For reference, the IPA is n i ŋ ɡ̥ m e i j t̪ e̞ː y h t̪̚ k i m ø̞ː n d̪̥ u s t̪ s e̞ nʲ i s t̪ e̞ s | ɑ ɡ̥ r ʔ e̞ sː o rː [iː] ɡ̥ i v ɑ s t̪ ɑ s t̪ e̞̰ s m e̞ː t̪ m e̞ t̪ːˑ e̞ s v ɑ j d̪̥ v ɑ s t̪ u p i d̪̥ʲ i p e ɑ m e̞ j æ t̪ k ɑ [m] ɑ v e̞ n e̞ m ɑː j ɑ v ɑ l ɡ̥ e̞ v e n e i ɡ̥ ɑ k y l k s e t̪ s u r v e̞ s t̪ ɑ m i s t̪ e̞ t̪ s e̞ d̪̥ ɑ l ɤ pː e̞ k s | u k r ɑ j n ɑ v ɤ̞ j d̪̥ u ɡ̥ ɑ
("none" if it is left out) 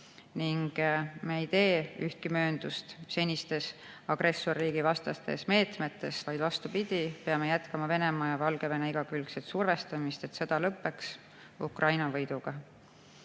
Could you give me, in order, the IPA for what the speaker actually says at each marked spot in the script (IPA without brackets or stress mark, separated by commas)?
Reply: iː, m